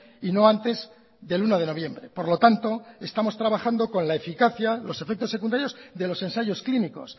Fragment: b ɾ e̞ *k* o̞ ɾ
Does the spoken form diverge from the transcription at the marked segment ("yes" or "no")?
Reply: yes